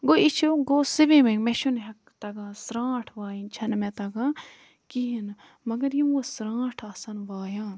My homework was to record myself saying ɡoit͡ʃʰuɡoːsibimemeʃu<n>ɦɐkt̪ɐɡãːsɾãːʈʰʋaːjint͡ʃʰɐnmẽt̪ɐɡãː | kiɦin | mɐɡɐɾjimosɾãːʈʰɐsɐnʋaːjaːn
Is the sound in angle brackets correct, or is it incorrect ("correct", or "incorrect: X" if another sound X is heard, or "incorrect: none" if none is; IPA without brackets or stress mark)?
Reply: correct